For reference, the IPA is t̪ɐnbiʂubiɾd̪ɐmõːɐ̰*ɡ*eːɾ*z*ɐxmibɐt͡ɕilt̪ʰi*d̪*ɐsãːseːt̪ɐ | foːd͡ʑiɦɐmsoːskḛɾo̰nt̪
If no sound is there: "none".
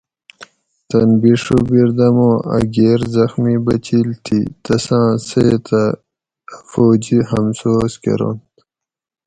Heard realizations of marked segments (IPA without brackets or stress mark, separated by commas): ɡ, z, t̪